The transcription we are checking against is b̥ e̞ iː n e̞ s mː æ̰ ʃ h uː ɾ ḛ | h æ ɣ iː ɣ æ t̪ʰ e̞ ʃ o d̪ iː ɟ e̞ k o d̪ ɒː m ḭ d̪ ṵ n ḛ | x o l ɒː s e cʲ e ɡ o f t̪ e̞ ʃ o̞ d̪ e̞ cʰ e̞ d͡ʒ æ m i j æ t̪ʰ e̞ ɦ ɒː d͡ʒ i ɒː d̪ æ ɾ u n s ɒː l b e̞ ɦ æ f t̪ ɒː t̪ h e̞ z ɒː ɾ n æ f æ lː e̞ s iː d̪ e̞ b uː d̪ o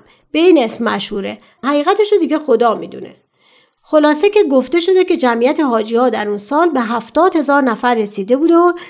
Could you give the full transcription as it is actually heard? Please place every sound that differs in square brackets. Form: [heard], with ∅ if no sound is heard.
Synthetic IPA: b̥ e̞ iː n e̞ s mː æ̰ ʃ h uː ɾ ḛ | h æ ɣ iː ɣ æ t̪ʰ e̞ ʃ o d̪ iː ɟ e̞ [x] o d̪ ɒː m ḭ d̪ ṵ n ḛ | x o l ɒː s e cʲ e ɡ o f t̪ e̞ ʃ o̞ d̪ e̞ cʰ e̞ d͡ʒ æ m i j æ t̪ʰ e̞ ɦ ɒː d͡ʒ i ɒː d̪ æ ɾ u n s ɒː l b e̞ ɦ æ f t̪ ɒː [d̪] h e̞ z ɒː ɾ n æ f æ [ɾː] e̞ s iː d̪ e̞ b uː d̪ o